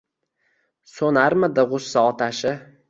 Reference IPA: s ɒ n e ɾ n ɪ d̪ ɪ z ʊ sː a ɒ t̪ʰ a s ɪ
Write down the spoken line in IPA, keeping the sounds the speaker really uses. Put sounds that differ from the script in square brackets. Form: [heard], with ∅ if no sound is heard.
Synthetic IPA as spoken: s [o] n [a] ɾ [m] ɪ d̪ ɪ [ʁ] ʊ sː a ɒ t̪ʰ a [ʃ] ɪ